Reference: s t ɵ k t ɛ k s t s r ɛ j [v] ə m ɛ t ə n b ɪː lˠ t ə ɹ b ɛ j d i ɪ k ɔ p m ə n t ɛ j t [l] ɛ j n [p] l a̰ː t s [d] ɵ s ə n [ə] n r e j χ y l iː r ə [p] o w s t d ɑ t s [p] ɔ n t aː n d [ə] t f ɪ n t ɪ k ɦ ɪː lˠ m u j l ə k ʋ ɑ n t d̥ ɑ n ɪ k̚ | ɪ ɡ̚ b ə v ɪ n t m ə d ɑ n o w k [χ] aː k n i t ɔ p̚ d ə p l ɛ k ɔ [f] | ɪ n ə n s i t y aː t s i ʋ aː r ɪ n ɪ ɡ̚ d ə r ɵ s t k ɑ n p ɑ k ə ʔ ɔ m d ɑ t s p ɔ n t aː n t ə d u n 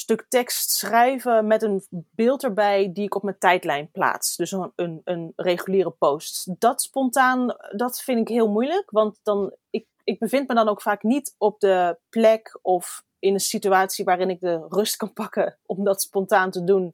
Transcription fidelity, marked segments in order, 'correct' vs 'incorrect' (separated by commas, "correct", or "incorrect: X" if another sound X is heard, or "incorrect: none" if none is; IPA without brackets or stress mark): correct, correct, correct, correct, correct, correct, correct, incorrect: ɑ, incorrect: f, correct